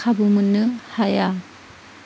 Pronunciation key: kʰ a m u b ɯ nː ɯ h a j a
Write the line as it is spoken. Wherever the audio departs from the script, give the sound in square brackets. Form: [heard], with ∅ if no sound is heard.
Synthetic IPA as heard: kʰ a [b] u [m] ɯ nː ɯ h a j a